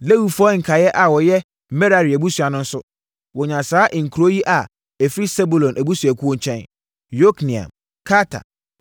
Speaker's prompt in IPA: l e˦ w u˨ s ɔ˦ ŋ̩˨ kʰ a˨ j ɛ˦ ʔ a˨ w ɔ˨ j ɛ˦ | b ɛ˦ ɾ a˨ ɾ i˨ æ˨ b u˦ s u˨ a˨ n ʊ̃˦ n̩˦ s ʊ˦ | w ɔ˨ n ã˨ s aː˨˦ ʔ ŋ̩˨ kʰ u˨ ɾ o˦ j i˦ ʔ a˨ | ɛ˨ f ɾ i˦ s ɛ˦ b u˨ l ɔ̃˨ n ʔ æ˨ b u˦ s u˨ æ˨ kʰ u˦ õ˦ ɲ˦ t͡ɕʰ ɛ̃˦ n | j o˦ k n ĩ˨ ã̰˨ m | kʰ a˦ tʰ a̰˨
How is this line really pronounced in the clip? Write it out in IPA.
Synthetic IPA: l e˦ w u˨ f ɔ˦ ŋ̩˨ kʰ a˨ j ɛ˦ ʔ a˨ w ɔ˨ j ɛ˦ | m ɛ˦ ɾ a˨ ɾ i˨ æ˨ b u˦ s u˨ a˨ n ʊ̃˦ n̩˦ s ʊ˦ | w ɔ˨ ɲ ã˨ s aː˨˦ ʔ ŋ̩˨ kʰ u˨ ɾ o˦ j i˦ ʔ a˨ | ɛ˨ f ɾ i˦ s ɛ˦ b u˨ l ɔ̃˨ n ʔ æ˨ b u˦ s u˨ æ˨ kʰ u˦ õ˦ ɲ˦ t͡ɕʰ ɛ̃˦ n | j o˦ k n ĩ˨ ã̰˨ m | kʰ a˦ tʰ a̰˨